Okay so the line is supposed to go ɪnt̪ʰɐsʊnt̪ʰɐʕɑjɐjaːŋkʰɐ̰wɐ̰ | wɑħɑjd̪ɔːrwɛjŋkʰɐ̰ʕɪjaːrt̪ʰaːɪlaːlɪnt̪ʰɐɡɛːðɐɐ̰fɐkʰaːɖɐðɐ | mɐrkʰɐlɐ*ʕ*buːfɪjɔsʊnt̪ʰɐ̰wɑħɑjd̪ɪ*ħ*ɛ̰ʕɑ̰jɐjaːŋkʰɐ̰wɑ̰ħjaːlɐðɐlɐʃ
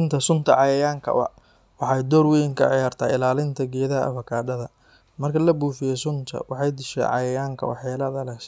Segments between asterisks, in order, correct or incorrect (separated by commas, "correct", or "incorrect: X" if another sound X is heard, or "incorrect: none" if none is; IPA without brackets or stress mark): incorrect: none, incorrect: ʃ